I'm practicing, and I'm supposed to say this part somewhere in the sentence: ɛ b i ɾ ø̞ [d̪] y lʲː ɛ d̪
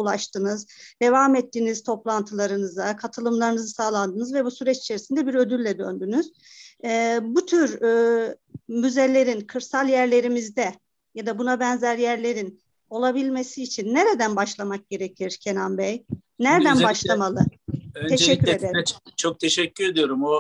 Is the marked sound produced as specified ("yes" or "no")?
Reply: yes